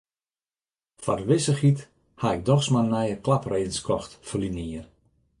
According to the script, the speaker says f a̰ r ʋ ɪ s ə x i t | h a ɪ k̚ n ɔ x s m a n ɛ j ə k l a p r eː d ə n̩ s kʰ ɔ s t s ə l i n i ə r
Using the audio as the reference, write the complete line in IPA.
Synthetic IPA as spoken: f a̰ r ʋ ɪ s ə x i t | h a ɪ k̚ d ɔ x s m a n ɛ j ə k l a p r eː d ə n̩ s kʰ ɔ x t f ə l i n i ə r